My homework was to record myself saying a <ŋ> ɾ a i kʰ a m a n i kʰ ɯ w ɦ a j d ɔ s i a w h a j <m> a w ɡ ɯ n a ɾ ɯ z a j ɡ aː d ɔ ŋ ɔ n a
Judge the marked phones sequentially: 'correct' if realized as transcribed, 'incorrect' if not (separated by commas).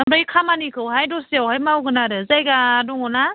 incorrect, correct